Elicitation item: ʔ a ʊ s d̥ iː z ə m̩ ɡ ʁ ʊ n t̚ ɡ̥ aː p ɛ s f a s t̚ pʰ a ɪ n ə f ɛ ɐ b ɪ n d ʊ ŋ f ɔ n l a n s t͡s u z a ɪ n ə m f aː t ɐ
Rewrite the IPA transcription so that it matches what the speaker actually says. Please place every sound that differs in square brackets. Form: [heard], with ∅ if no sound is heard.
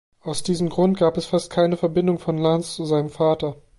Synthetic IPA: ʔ a ʊ s d̥ iː z ə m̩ ɡ ʁ ʊ n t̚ ɡ̥ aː p ɛ s f a s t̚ [kʰ] a ɪ n ə f ɛ ɐ b ɪ n d ʊ ŋ f ɔ n l a n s t͡s u z a ɪ n ə m f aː t ɐ